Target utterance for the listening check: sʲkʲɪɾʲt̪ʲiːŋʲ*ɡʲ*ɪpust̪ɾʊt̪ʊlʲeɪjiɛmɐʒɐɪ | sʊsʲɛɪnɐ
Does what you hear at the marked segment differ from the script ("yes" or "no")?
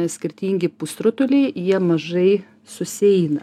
no